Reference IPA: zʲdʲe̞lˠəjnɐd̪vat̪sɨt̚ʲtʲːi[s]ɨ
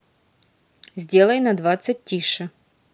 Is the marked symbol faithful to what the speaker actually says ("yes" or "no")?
no